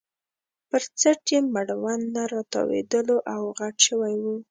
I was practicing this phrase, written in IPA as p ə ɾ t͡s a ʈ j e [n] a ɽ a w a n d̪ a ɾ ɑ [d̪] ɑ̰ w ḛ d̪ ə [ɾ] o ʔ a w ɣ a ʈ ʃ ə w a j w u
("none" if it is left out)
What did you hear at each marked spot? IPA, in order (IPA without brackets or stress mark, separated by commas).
m, t̪, l